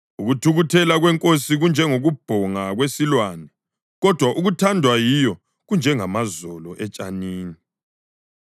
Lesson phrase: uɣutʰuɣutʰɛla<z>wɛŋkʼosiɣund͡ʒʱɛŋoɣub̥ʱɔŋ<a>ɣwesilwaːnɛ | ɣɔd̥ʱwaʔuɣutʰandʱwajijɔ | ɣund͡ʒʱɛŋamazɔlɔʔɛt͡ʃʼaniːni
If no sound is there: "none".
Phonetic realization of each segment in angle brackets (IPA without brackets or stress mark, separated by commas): ɣ, a